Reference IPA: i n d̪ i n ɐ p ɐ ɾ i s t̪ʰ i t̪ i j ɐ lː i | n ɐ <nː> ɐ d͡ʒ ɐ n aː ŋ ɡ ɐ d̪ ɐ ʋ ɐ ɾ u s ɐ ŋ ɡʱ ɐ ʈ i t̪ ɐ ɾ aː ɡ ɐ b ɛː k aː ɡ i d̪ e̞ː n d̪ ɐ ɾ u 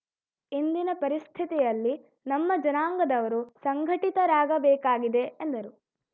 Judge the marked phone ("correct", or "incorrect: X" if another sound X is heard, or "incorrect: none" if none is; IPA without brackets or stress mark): incorrect: mː